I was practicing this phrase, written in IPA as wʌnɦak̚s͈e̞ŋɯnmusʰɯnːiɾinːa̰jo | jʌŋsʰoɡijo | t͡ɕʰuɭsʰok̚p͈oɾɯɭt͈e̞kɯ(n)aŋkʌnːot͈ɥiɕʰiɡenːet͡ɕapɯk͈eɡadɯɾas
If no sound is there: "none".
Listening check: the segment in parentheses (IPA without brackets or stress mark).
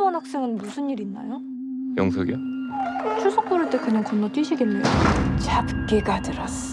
ɲ